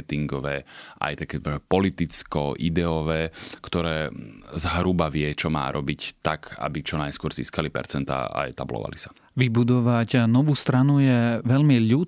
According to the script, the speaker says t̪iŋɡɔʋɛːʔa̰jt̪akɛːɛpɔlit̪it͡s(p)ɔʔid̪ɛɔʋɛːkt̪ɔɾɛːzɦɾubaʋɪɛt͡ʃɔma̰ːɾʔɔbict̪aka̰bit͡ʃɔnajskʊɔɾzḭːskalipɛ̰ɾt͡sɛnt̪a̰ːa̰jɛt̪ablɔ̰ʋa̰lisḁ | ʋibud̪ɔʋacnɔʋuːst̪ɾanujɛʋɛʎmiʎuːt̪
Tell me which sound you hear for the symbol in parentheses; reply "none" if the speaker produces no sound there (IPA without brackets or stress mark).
k